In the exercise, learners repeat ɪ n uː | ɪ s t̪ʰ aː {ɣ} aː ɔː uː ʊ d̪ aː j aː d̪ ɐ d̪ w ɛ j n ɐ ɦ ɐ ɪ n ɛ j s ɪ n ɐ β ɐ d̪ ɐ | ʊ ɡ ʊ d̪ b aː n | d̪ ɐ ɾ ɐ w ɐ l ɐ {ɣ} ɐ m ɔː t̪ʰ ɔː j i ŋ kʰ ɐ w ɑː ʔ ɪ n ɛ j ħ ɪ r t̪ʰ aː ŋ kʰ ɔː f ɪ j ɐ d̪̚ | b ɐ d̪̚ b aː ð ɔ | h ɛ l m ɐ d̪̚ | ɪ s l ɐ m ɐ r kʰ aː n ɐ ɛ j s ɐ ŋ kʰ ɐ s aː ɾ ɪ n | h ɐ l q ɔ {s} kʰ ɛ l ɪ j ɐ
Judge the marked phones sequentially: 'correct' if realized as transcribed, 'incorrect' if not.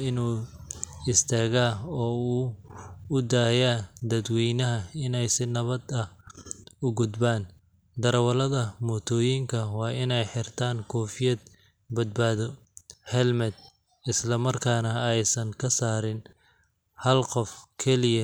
correct, incorrect: ð, incorrect: f

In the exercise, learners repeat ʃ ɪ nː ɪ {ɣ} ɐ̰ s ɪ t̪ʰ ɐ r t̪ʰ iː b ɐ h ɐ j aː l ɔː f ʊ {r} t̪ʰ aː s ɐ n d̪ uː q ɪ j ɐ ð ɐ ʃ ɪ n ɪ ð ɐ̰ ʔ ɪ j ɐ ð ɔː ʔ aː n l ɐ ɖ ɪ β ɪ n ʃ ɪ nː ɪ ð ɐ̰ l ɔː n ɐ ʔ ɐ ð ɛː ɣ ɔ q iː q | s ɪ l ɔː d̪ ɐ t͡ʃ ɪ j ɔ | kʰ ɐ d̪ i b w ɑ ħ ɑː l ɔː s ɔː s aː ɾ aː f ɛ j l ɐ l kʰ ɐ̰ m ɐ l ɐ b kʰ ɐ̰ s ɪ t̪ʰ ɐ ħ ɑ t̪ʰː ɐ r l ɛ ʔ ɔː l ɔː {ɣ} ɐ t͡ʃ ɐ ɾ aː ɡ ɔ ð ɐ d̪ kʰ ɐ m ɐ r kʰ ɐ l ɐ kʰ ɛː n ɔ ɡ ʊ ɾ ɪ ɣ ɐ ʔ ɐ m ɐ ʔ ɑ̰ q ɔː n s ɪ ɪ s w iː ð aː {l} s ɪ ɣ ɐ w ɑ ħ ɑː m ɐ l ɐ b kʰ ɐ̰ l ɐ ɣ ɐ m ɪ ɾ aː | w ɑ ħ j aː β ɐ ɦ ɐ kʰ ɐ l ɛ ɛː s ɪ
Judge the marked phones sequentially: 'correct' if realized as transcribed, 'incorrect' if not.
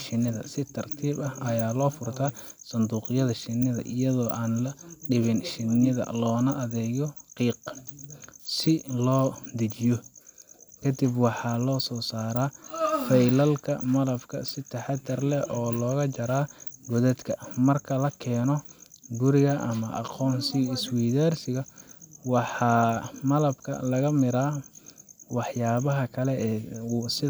incorrect: ð, correct, correct, incorrect: r

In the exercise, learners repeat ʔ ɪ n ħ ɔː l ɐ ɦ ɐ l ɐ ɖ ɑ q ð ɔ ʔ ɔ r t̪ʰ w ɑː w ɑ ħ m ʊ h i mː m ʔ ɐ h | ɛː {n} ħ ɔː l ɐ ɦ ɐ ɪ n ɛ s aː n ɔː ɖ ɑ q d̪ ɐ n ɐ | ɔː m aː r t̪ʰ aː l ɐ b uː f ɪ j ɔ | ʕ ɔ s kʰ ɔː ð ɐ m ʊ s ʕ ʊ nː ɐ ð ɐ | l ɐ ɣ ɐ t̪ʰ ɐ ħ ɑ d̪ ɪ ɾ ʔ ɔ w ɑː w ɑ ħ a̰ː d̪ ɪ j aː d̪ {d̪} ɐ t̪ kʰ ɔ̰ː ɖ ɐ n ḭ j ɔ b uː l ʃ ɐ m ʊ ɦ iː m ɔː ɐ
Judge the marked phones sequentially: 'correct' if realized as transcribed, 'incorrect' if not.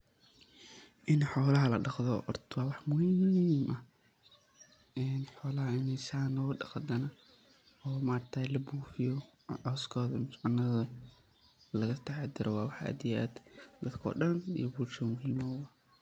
correct, correct

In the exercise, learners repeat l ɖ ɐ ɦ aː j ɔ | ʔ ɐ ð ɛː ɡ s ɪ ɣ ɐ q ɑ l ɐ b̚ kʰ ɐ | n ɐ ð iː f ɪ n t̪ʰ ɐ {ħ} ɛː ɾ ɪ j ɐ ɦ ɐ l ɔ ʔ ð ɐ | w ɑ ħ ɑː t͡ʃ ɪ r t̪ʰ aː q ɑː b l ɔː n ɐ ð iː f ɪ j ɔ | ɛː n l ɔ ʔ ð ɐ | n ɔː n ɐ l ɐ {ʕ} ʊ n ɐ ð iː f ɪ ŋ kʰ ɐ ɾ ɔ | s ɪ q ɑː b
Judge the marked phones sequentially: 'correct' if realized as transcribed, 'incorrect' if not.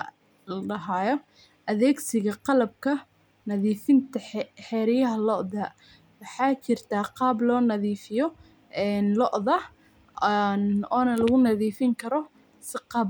correct, incorrect: ɣ

